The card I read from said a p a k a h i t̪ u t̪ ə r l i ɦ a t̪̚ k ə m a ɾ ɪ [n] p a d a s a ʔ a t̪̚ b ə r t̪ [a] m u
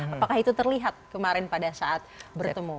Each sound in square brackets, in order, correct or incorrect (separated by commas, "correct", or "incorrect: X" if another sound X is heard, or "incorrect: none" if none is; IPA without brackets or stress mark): correct, incorrect: ə